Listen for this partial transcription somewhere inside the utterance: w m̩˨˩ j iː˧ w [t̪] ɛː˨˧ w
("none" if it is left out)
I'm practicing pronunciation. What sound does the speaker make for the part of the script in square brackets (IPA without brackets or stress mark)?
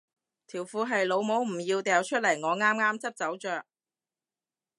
t̪